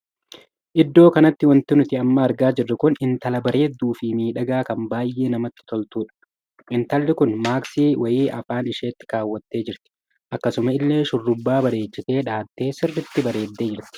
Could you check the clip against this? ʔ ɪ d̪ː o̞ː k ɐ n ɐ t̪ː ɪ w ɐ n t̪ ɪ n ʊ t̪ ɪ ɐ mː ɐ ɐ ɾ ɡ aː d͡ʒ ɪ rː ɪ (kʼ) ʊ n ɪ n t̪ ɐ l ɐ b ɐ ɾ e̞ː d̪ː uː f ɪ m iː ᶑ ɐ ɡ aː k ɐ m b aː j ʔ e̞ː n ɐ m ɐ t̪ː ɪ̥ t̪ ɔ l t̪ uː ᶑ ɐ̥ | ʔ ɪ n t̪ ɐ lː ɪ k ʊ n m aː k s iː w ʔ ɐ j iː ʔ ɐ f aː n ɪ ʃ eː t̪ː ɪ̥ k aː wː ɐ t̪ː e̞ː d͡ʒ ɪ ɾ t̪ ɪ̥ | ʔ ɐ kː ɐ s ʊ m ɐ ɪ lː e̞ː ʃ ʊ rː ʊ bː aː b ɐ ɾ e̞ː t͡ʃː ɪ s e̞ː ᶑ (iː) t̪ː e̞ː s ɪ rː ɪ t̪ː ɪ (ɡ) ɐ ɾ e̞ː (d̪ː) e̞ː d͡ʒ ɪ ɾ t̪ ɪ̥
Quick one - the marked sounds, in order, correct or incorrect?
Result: incorrect, incorrect, incorrect, correct

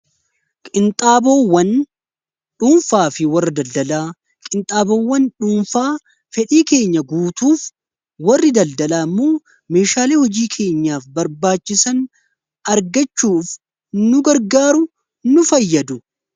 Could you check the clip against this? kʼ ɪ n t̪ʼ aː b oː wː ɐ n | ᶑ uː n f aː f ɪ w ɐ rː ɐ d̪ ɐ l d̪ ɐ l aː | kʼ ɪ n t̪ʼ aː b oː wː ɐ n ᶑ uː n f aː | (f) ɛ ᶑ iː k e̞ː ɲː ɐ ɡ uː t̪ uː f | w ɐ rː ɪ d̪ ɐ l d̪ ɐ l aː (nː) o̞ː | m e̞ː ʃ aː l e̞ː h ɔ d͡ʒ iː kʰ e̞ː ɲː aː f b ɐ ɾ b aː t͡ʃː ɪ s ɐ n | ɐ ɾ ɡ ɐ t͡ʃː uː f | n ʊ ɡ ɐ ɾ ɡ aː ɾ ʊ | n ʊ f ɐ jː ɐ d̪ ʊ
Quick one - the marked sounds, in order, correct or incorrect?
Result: correct, incorrect

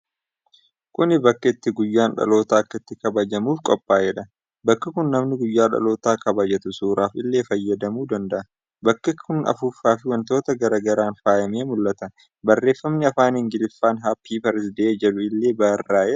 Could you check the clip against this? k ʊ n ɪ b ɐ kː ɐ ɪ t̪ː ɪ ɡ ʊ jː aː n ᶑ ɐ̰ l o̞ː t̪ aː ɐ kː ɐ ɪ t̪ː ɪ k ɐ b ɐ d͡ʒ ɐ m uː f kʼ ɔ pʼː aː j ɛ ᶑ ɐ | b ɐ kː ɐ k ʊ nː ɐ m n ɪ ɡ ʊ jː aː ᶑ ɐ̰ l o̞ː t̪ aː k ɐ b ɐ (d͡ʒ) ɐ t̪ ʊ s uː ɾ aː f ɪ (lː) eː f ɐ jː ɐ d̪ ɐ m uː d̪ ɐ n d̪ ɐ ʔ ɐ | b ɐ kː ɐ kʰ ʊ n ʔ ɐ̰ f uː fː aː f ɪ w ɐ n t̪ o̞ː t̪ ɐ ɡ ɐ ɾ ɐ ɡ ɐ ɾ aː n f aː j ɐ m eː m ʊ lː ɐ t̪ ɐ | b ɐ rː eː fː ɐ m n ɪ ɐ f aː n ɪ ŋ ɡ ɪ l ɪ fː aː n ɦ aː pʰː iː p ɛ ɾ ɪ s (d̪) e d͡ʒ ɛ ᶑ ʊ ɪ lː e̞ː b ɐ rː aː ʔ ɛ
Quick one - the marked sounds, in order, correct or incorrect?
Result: correct, correct, correct

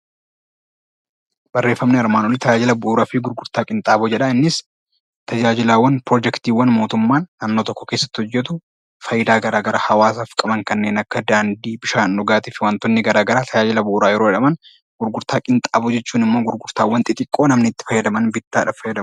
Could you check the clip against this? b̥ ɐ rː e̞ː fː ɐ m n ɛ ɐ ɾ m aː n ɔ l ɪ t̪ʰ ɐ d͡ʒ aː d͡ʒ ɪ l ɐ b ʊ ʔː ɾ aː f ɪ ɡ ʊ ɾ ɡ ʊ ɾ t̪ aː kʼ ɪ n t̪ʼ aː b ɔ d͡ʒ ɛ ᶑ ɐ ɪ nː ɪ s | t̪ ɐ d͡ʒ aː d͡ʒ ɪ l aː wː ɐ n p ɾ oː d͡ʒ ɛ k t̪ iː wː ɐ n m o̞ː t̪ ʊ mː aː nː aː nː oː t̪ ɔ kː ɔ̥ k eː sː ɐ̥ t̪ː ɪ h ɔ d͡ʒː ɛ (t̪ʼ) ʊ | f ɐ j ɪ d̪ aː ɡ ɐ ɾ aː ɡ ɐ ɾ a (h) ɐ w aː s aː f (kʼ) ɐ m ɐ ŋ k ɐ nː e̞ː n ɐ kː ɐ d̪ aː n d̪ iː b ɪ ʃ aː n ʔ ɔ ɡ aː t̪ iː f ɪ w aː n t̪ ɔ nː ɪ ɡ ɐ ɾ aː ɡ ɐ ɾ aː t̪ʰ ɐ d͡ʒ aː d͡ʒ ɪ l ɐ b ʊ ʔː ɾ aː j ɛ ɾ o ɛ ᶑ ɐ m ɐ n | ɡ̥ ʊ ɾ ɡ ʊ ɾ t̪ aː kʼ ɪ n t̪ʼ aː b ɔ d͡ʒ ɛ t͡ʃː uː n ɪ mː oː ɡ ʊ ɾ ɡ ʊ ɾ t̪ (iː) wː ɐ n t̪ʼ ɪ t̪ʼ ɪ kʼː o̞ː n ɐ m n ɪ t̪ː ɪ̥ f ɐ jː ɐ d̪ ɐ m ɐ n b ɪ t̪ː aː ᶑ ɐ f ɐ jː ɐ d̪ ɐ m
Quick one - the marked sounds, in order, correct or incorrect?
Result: incorrect, correct, correct, incorrect

